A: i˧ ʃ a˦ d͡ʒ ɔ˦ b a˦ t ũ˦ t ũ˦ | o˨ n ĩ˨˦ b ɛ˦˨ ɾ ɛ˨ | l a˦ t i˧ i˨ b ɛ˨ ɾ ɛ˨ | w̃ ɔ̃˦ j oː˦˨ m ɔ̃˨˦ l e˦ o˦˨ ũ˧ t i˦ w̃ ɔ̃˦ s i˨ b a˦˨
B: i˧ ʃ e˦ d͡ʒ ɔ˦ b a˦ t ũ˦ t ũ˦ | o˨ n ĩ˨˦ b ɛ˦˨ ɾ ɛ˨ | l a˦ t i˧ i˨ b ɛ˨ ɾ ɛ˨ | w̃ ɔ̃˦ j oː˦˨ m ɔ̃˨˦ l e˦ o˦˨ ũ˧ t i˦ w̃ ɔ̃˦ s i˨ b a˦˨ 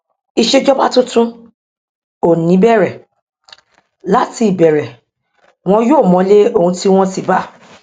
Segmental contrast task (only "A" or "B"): B